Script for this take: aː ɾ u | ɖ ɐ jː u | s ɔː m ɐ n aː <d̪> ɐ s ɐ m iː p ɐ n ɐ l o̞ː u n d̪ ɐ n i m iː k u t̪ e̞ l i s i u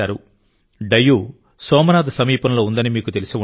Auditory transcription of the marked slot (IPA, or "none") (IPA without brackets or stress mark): d̪